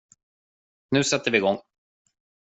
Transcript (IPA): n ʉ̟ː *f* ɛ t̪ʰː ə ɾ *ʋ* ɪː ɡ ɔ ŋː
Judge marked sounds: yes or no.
no, no

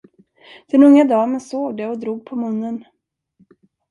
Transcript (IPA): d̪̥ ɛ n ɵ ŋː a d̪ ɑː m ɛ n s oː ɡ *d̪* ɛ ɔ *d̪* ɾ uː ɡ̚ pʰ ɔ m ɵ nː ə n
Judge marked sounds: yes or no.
yes, yes

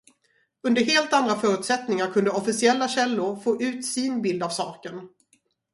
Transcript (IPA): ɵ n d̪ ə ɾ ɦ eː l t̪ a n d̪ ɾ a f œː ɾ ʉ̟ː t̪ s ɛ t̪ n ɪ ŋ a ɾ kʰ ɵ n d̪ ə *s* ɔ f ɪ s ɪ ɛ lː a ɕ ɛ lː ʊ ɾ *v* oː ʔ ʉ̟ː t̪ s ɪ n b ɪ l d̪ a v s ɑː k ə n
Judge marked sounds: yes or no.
no, no

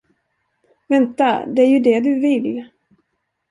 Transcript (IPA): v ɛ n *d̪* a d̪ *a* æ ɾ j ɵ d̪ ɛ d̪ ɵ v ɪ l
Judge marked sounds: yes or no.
no, no

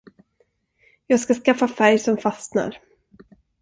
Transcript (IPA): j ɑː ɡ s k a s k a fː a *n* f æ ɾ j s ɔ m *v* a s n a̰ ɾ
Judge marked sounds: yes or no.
no, no

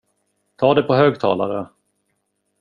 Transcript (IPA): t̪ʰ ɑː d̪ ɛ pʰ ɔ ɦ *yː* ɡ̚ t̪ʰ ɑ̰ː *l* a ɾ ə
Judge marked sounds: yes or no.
no, yes

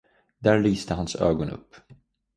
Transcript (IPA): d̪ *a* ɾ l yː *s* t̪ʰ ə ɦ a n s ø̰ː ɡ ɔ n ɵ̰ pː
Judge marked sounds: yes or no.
no, yes

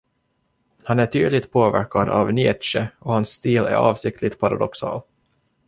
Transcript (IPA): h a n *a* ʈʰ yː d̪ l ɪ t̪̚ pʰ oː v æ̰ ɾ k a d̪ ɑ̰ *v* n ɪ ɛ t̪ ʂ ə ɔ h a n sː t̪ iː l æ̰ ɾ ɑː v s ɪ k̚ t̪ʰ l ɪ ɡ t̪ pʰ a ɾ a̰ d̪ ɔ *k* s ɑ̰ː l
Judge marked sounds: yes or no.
no, yes, yes

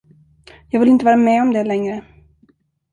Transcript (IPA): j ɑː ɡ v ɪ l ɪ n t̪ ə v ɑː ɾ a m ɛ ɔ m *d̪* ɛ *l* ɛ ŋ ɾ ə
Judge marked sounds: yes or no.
yes, yes

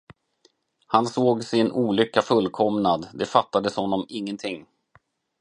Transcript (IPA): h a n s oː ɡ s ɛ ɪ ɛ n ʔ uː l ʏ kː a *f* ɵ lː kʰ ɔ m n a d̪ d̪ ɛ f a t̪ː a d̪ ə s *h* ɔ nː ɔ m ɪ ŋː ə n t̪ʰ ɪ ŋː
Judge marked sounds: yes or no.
yes, yes

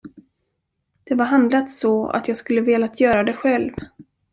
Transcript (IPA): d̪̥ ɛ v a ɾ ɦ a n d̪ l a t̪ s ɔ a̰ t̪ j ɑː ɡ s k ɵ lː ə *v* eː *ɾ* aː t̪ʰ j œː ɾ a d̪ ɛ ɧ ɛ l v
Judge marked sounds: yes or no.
yes, no

